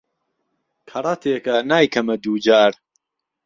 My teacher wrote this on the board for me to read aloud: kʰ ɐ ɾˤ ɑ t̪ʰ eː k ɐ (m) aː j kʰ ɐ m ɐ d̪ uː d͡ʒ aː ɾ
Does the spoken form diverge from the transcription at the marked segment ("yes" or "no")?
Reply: yes